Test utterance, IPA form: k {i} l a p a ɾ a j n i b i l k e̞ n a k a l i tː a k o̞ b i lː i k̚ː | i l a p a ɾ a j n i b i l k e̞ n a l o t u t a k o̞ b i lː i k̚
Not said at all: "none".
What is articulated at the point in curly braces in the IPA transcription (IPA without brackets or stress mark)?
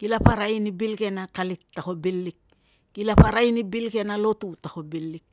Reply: i